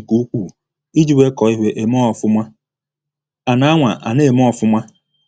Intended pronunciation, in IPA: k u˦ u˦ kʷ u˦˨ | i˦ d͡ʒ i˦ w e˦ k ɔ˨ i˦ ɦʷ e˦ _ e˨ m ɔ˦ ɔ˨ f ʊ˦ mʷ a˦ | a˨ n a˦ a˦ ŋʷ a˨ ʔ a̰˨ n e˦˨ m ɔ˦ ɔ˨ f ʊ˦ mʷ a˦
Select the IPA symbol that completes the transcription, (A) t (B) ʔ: B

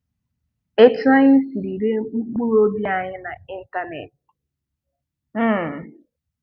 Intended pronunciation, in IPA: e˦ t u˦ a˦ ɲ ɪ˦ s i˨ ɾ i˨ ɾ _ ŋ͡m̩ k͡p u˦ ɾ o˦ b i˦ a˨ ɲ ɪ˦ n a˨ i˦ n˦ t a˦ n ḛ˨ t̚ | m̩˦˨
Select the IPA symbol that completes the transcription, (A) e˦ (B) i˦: A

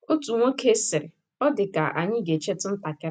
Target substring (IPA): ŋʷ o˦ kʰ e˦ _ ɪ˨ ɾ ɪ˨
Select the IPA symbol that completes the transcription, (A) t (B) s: B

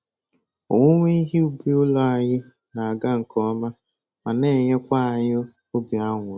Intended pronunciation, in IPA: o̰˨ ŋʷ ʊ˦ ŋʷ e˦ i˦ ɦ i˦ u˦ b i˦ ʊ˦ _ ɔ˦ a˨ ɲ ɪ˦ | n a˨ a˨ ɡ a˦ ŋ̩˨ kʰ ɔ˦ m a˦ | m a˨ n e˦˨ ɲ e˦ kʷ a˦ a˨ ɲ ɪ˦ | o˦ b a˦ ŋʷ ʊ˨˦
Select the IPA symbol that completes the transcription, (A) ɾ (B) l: B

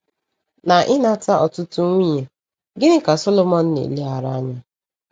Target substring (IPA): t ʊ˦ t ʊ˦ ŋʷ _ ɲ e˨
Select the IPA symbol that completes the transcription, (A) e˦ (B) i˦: B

